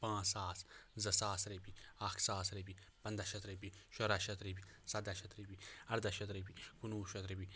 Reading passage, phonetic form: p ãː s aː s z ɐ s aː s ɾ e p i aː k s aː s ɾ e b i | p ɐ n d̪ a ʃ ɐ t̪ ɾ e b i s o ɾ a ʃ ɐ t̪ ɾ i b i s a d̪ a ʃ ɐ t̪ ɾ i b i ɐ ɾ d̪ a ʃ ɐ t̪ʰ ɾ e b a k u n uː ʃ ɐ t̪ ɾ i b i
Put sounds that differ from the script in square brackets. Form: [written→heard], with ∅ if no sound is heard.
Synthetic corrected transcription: p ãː s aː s z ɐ s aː s ɾ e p i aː k s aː s ɾ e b i | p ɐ n d̪ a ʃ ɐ t̪ ɾ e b i [s→ʃ] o ɾ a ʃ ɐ t̪ ɾ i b i s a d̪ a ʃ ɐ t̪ ɾ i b i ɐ ɾ d̪ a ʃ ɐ [t̪ʰ→t̪] ɾ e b [a→i] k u n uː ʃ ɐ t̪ ɾ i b i